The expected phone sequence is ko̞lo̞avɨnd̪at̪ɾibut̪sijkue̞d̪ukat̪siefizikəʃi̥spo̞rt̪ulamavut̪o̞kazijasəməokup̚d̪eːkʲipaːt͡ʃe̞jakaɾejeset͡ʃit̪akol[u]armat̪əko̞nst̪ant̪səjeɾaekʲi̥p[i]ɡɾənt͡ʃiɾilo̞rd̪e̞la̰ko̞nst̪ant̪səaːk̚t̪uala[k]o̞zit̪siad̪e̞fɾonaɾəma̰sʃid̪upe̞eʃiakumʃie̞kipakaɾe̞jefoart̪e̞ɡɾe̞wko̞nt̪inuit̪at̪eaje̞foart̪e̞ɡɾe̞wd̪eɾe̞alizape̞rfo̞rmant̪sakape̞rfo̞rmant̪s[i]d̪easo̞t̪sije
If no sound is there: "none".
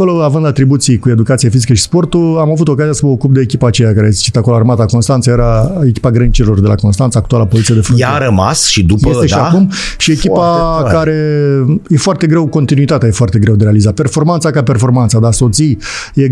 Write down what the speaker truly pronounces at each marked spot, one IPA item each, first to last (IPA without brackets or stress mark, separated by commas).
o, a, p, a